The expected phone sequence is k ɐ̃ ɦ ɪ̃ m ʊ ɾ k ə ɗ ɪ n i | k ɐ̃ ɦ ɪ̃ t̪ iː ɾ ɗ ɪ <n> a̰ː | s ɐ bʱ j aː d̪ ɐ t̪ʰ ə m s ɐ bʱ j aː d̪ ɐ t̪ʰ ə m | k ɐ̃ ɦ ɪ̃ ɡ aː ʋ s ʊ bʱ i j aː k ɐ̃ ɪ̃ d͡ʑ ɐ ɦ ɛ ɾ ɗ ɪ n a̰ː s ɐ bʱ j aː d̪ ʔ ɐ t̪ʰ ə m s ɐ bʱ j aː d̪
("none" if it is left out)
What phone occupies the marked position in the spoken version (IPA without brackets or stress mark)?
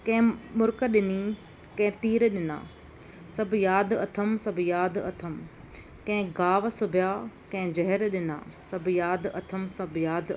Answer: n